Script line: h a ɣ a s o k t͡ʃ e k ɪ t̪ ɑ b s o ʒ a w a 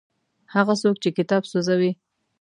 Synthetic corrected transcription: h a ɣ a s o k t͡ʃ e k ɪ t̪ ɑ b s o z a w i